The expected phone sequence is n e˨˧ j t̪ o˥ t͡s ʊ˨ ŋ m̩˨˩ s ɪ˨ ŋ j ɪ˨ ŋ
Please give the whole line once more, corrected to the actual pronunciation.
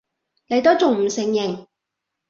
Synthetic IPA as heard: n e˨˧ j t̪ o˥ t͡s ʊ˨ ŋ m̩˨˩ s ɪ˨ ŋ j ɪ˨ ŋ